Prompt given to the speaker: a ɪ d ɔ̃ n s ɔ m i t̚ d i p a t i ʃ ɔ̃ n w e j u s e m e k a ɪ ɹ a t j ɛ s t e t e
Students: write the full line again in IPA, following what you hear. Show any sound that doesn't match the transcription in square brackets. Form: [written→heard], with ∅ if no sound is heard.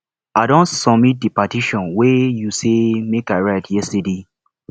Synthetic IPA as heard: a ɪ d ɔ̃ n s ɔ m i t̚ d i p a t i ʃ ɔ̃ n w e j u s e m e k a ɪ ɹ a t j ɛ s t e [t→d] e